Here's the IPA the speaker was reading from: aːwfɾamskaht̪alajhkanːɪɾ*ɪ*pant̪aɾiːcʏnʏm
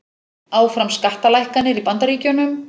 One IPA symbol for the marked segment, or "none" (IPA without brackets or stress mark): i